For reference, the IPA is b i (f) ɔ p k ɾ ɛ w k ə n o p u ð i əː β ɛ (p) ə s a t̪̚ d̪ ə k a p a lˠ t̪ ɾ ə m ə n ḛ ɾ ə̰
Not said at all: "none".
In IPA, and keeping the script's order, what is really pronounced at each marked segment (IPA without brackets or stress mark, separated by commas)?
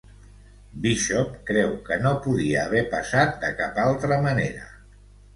ʃ, p